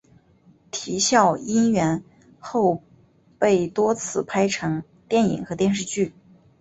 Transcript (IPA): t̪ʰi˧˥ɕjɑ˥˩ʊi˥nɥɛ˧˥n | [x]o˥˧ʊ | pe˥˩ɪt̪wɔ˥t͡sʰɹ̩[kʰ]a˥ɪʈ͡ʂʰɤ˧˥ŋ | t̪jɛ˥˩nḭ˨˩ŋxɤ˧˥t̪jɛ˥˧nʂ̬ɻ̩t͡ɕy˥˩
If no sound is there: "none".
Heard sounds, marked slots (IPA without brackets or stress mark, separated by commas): x, pʰ